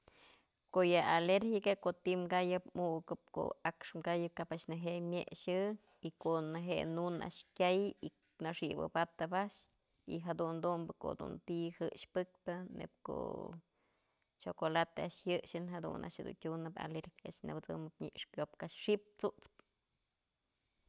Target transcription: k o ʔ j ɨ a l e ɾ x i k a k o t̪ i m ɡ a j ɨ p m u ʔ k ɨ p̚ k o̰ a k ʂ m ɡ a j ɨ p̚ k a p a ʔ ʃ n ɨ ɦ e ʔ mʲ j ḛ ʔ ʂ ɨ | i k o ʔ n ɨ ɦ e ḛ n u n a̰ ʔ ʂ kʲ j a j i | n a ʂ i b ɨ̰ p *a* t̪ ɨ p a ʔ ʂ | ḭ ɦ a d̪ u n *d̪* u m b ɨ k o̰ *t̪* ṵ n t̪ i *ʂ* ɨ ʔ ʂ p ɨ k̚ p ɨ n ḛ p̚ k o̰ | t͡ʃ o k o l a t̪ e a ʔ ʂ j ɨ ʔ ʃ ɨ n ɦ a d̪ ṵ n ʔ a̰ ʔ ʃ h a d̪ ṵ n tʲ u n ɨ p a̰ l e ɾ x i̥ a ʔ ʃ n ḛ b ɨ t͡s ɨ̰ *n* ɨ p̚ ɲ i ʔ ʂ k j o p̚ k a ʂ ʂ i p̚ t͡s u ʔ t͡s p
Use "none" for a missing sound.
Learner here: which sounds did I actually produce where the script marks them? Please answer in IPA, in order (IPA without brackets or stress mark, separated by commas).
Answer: a, d̪, d̪, h, m